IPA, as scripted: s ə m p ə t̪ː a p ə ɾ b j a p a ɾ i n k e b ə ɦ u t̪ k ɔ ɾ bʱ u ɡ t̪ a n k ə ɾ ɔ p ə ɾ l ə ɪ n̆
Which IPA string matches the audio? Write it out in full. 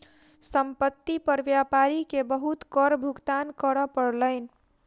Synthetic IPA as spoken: s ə m p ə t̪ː i p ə ɾ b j a p a ɾ i k e b ə ɦ u t̪ k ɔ ɾ bʱ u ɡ t̪ a n k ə ɾ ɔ p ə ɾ l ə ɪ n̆